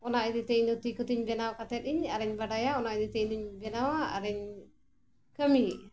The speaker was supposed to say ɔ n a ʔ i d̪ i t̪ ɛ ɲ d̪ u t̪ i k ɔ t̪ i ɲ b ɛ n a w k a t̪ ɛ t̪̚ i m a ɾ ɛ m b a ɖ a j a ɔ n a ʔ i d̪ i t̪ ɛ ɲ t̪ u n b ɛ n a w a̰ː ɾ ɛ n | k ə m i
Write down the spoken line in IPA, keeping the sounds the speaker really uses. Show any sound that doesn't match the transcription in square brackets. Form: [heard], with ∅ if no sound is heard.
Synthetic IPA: ɔ n a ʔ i d̪ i t̪ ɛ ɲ d̪ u t̪ i k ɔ t̪ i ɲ b ɛ n a w k a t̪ ɛ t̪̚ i [ɲ] a ɾ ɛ [ɲ] b a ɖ a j a ɔ n a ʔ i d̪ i t̪ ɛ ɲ [d̪] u [ɲ] b ɛ n a w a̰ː ɾ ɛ [ɲ] | k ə m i